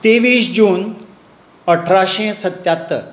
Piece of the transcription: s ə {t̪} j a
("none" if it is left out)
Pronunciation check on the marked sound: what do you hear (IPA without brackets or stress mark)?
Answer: t̪